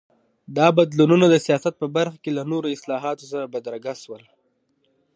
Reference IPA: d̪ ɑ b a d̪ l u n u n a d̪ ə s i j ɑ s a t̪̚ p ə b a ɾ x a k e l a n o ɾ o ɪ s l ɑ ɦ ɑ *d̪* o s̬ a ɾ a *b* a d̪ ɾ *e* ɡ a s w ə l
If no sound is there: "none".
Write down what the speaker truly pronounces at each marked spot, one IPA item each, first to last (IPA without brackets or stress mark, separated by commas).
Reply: t̪, b, a